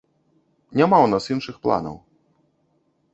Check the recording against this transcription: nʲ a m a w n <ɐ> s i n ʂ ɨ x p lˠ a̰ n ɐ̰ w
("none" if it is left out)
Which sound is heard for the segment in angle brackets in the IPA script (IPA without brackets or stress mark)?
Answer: a